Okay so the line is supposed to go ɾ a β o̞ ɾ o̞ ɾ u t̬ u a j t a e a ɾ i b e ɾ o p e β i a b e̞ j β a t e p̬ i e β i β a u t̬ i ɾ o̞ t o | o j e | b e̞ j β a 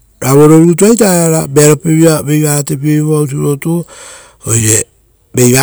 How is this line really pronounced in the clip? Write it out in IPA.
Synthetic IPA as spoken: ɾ a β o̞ ɾ o̞ ɾ u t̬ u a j t a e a ɾ a b e ɾ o p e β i a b e̞ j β a t e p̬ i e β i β a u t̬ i ɾ o̞ t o | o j e | b e̞ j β a